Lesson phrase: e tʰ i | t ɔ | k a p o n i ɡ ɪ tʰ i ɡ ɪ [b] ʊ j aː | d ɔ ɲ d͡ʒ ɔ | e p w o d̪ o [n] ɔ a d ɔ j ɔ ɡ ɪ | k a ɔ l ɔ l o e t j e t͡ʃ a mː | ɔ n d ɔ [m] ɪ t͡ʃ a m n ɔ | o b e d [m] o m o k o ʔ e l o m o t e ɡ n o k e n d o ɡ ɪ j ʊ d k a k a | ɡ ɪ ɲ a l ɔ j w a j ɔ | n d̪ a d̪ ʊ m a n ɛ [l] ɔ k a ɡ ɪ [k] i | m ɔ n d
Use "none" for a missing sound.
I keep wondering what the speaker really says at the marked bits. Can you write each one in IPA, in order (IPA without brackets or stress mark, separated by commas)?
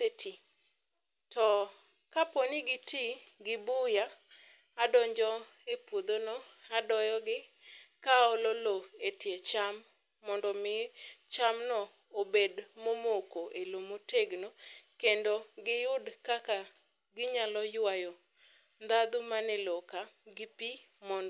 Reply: b, n, m, m, l, p